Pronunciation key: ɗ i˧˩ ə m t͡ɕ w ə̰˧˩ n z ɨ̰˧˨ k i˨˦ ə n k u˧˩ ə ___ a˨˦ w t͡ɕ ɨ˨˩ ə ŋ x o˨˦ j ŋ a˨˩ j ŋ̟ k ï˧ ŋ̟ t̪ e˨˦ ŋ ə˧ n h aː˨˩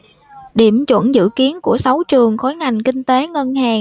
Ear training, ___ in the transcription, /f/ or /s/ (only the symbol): s